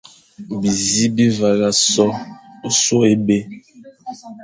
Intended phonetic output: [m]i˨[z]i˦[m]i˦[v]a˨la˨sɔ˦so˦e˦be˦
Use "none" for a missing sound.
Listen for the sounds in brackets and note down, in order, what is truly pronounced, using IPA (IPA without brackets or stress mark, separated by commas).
b, z, b, v